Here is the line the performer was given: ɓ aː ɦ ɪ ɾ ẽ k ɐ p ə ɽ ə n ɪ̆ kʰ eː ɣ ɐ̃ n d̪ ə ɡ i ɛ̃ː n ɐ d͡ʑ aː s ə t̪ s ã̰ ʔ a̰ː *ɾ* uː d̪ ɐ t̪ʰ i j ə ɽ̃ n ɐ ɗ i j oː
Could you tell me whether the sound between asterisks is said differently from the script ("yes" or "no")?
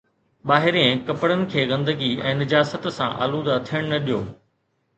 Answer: yes